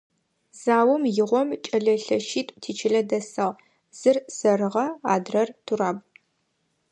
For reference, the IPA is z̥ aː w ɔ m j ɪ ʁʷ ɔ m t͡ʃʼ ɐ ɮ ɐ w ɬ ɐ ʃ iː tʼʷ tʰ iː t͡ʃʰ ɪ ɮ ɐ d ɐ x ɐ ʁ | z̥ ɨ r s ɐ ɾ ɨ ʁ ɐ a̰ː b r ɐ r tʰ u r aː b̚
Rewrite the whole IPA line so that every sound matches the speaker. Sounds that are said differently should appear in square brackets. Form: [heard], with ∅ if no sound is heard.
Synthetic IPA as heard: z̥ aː w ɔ m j ɪ ʁʷ ɔ m t͡ʃʼ ɐ ɮ ɐ [∅] ɬ ɐ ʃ iː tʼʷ tʰ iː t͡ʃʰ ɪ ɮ ɐ d ɐ [s] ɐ ʁ | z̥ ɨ r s ɐ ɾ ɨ ʁ ɐ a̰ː [d] r ɐ r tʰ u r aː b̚